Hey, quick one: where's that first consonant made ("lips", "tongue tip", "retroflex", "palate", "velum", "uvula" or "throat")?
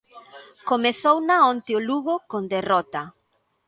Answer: velum